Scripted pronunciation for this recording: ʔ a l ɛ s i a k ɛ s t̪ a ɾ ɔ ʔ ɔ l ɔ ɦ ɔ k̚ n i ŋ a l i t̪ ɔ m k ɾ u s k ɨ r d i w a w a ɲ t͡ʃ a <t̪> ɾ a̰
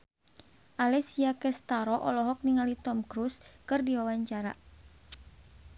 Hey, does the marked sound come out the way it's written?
no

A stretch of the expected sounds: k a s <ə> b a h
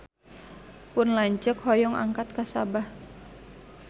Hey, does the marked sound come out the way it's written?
no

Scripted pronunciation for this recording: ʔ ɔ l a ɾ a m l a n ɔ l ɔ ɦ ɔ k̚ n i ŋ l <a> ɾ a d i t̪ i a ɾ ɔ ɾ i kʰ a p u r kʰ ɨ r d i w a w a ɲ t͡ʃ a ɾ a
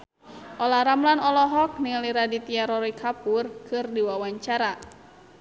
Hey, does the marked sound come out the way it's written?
no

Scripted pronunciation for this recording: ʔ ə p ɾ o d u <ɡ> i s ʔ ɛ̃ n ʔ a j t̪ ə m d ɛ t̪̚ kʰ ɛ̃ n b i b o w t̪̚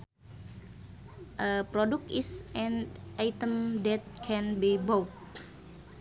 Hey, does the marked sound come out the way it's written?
no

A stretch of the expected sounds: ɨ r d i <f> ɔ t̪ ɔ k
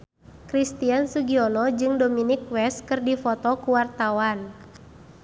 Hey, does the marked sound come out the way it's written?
yes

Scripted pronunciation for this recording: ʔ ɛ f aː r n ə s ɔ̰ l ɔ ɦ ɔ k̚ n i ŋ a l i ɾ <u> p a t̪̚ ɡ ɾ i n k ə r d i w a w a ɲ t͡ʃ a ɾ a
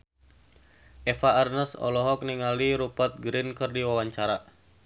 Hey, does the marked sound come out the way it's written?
yes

